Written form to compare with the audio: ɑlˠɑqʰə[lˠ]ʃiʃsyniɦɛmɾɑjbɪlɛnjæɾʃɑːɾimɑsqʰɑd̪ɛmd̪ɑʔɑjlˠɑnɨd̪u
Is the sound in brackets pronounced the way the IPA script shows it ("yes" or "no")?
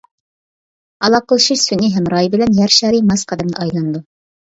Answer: yes